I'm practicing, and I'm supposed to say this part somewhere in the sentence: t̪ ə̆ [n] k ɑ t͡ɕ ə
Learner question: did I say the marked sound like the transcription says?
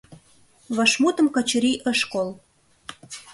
no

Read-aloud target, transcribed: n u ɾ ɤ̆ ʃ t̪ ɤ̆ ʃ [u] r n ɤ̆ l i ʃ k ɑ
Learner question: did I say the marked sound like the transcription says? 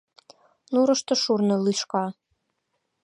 yes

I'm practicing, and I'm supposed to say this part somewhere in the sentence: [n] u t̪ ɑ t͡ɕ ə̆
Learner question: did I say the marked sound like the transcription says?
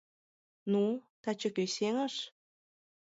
yes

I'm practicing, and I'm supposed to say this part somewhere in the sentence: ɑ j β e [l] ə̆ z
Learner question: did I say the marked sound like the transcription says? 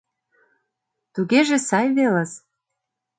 yes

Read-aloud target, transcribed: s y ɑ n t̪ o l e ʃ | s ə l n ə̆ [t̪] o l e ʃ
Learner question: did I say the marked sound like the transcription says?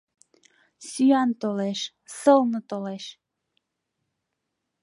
yes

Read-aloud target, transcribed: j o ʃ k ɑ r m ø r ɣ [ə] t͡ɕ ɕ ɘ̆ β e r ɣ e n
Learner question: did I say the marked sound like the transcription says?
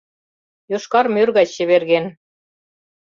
no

